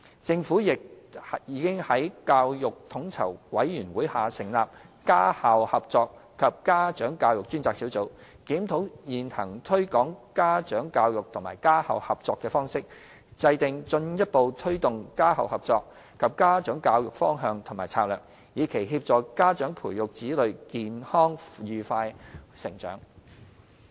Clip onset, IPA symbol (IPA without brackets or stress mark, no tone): t͡s